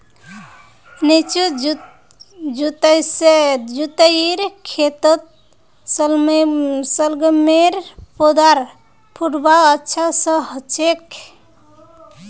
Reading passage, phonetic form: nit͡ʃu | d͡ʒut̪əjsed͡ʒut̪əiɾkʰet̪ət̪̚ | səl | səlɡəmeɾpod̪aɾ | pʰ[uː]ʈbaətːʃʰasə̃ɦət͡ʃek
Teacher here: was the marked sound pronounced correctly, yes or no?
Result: no